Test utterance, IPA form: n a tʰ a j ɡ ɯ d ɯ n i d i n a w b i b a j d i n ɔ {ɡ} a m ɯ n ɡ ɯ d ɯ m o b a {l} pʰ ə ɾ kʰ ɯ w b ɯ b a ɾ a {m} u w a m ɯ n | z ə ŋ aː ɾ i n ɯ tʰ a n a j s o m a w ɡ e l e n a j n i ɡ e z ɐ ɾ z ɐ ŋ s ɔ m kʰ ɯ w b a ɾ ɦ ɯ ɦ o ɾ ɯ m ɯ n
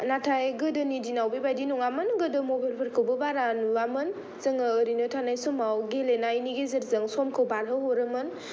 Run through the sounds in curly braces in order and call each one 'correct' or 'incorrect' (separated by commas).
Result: incorrect, correct, incorrect